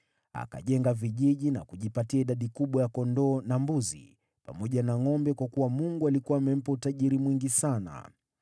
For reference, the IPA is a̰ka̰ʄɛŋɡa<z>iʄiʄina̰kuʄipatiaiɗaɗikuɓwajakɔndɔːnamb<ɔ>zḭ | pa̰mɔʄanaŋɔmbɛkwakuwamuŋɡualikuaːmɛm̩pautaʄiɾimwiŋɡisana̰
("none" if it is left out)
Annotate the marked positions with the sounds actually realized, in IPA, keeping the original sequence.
v, u

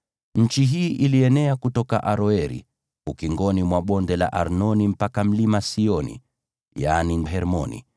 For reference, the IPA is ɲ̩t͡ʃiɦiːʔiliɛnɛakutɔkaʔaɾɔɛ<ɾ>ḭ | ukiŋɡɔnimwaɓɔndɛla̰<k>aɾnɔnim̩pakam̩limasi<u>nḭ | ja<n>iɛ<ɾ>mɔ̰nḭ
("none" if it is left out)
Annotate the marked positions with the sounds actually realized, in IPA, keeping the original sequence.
ɾ, ʔ, ɔ, n, ɾ

